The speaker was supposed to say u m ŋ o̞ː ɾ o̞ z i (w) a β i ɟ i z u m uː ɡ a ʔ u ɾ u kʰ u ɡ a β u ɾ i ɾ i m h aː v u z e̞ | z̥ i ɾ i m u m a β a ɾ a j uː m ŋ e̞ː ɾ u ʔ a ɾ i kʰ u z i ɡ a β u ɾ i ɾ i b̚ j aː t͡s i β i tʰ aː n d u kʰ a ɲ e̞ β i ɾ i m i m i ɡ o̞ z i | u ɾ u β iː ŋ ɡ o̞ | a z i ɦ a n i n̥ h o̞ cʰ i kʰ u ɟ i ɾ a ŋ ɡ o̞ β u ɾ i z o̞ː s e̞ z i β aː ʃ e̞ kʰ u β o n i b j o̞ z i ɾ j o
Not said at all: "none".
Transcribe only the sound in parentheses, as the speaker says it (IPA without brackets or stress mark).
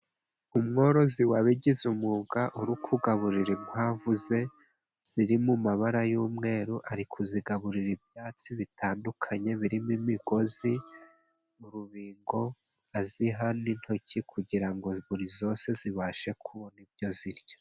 w